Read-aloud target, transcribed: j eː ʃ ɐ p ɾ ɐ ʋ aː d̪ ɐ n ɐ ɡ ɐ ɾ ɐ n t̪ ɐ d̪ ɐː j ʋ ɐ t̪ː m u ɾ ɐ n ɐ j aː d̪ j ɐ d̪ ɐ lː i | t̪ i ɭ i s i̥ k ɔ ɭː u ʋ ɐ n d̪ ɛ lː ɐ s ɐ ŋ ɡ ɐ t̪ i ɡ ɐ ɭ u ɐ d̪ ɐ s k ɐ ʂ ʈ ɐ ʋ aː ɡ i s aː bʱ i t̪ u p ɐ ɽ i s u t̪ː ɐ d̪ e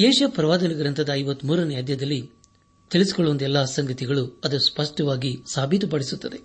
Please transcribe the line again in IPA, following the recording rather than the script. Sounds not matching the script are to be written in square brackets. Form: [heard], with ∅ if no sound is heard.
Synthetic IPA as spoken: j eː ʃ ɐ p ɾ ɐ ʋ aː d̪ ɐ n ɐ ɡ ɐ ɾ ɐ n t̪ ɐ d̪ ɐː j ʋ ɐ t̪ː m [uː] ɾ ɐ n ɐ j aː d̪ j ɐ d̪ ɐ lː i | t̪ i ɭ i s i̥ k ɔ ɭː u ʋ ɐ n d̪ ɛ lː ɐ s ɐ ŋ ɡ ɐ t̪ i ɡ ɐ ɭ u ɐ d̪ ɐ s [p] ɐ ʂ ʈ ɐ ʋ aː ɡ i s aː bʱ i t̪ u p ɐ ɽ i s u t̪ː ɐ d̪ e